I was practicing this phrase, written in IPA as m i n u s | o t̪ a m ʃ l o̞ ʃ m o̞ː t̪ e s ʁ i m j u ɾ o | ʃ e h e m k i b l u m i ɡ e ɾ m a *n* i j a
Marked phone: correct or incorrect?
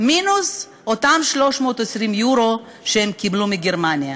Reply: correct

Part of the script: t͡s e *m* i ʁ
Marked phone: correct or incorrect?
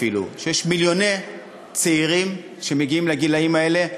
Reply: incorrect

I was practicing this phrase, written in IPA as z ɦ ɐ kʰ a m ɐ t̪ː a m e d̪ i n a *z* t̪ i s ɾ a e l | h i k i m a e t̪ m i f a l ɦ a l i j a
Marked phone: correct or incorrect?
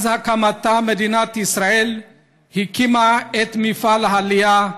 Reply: incorrect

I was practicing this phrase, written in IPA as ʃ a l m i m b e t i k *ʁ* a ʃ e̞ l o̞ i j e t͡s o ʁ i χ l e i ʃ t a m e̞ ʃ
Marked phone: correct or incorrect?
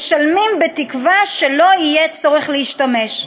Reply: incorrect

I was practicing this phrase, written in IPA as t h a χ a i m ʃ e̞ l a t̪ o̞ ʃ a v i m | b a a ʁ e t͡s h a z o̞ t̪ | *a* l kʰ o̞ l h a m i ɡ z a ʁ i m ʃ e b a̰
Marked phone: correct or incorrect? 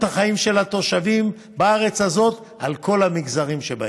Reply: correct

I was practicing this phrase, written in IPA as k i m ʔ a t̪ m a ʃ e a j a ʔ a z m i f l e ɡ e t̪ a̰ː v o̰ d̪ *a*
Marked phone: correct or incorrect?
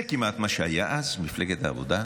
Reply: correct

